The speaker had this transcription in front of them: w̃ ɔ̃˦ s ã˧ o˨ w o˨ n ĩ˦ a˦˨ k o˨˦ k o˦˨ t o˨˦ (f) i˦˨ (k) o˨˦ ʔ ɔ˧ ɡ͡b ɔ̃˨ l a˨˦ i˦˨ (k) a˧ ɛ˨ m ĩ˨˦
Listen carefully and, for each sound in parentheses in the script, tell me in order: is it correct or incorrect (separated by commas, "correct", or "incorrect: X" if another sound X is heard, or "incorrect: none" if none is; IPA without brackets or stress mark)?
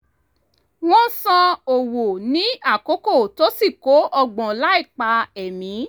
incorrect: s, correct, incorrect: k͡p